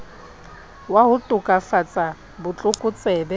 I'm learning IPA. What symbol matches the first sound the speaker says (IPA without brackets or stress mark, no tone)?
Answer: w